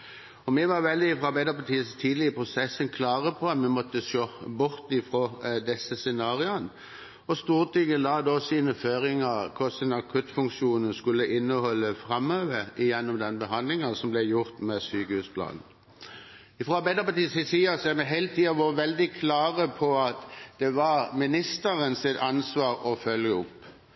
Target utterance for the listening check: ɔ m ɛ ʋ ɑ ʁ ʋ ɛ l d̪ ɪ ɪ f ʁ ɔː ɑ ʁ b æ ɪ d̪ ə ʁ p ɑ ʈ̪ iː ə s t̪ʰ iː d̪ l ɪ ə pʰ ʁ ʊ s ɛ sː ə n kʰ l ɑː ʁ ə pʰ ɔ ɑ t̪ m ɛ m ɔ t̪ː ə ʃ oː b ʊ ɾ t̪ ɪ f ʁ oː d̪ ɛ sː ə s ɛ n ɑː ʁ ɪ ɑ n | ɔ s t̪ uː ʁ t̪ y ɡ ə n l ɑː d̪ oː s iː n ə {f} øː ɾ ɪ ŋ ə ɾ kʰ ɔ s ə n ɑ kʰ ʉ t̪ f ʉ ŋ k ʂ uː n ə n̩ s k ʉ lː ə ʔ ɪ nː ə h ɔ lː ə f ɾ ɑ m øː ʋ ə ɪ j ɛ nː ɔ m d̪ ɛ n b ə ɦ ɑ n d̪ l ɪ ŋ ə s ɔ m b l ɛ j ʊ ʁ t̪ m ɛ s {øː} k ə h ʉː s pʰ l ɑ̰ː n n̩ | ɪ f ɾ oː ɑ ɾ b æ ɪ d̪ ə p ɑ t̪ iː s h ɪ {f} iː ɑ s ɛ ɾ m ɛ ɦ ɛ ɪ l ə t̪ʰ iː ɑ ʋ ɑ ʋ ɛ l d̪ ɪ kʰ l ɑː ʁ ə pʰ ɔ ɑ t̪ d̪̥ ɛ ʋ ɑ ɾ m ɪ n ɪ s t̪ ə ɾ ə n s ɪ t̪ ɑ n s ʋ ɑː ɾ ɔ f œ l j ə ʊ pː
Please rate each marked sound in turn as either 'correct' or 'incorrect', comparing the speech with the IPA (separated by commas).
correct, incorrect, incorrect